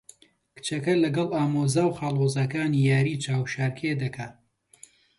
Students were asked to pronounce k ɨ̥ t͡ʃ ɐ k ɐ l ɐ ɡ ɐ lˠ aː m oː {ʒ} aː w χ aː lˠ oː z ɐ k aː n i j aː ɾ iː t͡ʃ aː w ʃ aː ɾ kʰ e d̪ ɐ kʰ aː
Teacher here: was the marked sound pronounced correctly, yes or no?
no